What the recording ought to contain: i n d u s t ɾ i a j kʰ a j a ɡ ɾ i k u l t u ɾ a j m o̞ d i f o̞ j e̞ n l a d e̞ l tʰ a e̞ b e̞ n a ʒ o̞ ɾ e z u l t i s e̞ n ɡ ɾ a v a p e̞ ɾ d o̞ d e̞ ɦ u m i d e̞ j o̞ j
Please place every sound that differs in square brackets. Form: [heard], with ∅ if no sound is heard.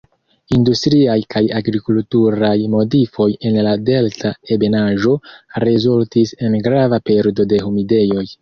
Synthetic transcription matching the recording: i n d u s t ɾ i a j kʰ a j a ɡ ɾ i k u l t u ɾ a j m o̞ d i f o̞ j e̞ n l a d e̞ l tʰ a e̞ b e̞ n a ʒ o̞ ɾ e z u l t i s e̞ n ɡ ɾ a v a p e̞ ɾ d o̞ d e̞ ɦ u m i d e̞ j o̞ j